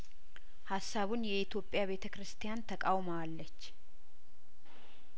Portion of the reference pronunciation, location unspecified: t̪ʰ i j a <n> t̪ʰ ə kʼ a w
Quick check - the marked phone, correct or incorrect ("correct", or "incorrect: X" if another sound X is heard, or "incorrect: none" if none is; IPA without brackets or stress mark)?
correct